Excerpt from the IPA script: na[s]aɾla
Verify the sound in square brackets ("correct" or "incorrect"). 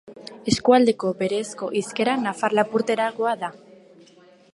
incorrect